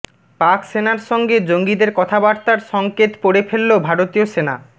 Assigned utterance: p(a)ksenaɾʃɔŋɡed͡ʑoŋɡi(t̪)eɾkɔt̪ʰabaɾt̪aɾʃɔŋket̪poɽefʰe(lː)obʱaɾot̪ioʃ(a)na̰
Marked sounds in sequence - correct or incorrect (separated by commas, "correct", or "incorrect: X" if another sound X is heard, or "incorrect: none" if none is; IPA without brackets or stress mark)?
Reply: correct, incorrect: d̪, correct, incorrect: e